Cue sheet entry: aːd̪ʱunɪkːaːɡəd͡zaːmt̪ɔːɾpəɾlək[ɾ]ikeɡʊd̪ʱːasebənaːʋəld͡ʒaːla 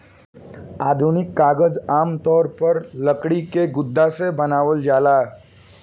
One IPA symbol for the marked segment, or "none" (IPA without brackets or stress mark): ɽ